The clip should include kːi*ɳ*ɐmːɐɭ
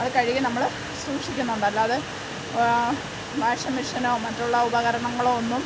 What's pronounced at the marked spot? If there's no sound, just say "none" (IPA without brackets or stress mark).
n